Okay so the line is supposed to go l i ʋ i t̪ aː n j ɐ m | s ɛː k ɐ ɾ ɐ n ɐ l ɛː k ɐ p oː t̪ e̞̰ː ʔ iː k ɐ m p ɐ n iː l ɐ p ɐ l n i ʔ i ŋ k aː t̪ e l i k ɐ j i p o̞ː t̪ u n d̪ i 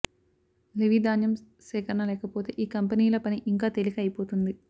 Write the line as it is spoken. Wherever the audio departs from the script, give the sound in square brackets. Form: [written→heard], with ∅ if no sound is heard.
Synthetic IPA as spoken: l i ʋ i [t̪→d̪] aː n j ɐ m | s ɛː k ɐ ɾ ɐ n ɐ l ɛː k ɐ p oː t̪ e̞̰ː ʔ iː k ɐ m p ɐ n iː l ɐ p ɐ [l→∅] n i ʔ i ŋ k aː t̪ e l i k ɐ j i p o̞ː t̪ u n d̪ i